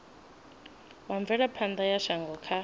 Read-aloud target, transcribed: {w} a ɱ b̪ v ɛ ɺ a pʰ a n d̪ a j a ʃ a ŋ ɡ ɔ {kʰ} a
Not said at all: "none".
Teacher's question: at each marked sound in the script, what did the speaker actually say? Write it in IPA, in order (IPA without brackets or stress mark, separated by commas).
w, kʰ